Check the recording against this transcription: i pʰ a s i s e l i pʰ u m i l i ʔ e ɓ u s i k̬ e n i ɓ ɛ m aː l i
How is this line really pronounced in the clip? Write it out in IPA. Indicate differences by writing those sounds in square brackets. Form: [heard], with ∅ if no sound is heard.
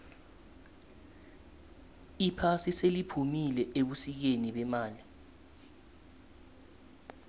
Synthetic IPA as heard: i pʰ a s i s e l i pʰ u m i l [ɛ] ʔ e ɓ u s i k̬ e n i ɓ ɛ m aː l i

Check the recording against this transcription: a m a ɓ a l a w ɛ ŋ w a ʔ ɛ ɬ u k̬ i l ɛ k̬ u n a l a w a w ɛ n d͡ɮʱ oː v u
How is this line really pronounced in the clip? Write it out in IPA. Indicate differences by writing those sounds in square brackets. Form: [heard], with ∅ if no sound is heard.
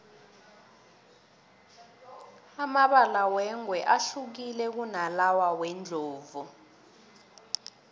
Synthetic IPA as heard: a m a ɓ a l a w ɛ ŋ w [ɛ] ʔ [a] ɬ u k̬ i l ɛ k̬ u n a l a w a w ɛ n d͡ɮʱ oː v u

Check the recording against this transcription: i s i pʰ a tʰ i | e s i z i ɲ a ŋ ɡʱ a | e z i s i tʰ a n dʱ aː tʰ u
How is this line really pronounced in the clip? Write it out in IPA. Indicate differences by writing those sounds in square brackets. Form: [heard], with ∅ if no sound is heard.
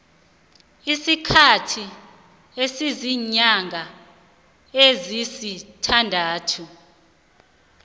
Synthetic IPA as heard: i s i [kʰ] a tʰ i | e s i z i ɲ a ŋ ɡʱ a | e z i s i tʰ a n dʱ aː tʰ u

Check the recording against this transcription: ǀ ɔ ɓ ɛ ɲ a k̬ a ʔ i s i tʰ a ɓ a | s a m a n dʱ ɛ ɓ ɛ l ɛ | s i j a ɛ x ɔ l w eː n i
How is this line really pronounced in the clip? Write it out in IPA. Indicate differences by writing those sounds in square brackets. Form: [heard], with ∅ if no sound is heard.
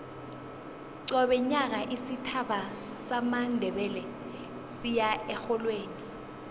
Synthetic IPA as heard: ǀ ɔ ɓ ɛ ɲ a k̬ a ʔ i s i tʰ a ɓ a | s a m a n dʱ ɛ ɓ ɛ l ɛ | s i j a ɛ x ɔ l w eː n i

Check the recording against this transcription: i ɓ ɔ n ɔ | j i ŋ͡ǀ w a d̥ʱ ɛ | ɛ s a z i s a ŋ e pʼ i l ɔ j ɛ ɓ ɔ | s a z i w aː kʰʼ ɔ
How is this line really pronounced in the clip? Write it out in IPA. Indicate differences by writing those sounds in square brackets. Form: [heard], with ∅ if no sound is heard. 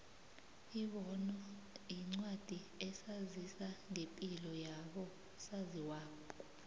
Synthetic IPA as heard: i ɓ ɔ n ɔ | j i ŋ͡ǀ w a d̥ʱ [i] | ɛ s a z i s a ŋ e pʼ i l ɔ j [a] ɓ ɔ | s a z i w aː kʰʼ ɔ

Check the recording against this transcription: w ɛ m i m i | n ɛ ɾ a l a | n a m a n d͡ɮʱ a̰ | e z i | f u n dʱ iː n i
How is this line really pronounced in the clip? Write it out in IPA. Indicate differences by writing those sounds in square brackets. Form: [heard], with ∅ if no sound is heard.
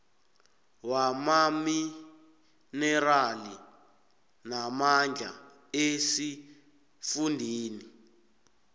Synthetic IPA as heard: w [a] m [a] m i | n ɛ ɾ a l [i] | n a m a n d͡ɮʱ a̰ | e [s] i | f u n dʱ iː n i

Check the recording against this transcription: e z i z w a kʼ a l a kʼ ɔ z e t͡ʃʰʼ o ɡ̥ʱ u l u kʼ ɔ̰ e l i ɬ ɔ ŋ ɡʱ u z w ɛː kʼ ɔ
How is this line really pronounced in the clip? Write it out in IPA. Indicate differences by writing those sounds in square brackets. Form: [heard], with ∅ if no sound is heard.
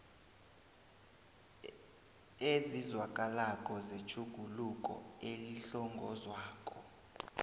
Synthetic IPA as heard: e z i z w a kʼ a l a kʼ ɔ z e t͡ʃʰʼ [u] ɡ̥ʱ u l u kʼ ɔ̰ e l i ɬ ɔ ŋ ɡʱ [ɔ] z w [aː] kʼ ɔ

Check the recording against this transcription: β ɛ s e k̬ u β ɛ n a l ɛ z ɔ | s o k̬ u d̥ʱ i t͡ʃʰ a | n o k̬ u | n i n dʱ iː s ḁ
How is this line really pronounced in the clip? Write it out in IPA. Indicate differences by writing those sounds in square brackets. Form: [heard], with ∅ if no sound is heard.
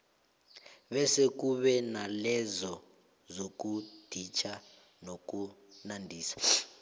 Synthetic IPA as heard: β ɛ s e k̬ u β ɛ n a l ɛ z ɔ | [z] o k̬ u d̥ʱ i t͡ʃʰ a | n o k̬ u | n [a] n dʱ iː s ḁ

